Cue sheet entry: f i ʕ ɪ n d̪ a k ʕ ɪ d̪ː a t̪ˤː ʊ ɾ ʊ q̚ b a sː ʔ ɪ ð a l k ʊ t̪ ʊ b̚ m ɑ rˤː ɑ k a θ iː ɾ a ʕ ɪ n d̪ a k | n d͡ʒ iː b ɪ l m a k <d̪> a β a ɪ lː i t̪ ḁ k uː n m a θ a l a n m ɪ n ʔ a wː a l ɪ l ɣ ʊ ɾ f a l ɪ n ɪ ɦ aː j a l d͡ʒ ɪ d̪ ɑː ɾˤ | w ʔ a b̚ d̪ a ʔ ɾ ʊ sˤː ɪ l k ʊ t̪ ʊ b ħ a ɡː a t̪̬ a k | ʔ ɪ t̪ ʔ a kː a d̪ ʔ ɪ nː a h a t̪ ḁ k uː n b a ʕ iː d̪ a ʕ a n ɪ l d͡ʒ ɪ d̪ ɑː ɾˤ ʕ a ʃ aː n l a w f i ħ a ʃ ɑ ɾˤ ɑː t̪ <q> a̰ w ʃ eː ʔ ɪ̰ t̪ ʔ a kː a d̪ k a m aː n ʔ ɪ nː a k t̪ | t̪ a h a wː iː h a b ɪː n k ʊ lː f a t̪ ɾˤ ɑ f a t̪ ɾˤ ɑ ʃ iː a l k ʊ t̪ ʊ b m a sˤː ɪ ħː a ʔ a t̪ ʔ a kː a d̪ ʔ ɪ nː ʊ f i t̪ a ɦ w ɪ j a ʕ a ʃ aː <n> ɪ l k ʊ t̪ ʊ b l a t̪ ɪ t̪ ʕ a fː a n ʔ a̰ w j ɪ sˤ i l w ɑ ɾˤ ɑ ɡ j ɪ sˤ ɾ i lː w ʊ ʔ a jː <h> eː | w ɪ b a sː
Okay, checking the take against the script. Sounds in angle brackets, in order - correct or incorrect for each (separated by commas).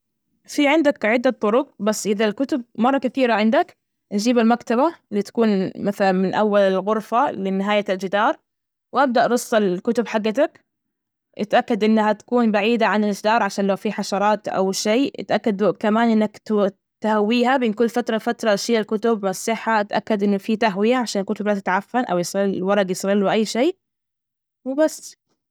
incorrect, incorrect, correct, incorrect